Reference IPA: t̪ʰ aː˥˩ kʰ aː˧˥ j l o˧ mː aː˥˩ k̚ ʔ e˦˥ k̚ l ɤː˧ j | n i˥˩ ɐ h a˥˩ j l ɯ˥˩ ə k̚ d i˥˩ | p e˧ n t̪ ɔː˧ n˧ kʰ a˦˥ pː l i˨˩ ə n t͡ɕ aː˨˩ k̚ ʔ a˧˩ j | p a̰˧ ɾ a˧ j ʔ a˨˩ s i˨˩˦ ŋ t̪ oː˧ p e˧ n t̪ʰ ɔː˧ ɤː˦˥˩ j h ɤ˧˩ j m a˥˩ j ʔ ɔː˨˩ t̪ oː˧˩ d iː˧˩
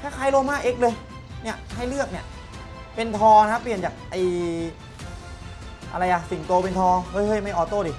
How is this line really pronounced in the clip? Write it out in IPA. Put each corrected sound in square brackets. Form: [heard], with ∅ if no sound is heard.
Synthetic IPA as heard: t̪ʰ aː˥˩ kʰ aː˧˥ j l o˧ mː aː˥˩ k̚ ʔ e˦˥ k̚ l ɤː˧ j | n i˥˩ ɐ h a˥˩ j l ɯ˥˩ ə k̚ [n] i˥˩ | p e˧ n [t̪ʰ] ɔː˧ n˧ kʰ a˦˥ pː l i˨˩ ə n t͡ɕ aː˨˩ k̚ ʔ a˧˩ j | [ʔ] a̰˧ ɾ a˧ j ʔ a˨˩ s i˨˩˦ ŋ t̪ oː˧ p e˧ n t̪ʰ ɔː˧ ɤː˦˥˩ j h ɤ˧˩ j m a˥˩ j ʔ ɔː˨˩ t̪ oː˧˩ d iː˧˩